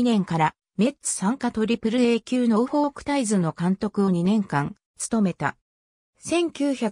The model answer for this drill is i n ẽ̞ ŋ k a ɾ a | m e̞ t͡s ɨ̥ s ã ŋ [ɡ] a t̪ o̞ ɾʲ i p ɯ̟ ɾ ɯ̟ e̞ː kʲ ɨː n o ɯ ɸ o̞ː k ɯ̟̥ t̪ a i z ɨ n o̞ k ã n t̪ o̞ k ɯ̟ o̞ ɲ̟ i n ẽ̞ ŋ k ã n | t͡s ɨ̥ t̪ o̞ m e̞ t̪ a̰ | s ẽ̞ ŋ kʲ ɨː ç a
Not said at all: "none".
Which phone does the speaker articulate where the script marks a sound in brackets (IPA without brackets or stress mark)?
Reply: k